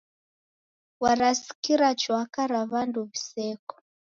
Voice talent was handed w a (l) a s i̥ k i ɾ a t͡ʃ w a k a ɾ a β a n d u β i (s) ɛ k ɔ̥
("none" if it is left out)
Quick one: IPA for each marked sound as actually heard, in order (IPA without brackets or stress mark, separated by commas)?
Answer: ɾ, s